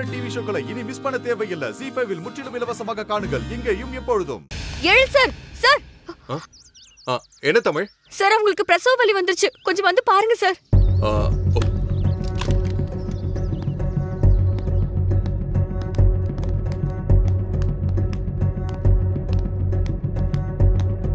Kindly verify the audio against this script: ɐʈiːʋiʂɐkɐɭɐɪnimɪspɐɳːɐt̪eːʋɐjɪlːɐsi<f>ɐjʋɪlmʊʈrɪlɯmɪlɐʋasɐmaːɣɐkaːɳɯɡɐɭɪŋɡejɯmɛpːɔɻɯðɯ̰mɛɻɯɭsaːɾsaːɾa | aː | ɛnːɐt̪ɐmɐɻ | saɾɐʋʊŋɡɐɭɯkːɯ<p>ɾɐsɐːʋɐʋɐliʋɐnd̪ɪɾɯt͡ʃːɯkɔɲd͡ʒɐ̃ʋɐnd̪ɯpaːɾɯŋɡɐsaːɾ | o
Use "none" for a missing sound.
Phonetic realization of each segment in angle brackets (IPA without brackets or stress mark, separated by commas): f, p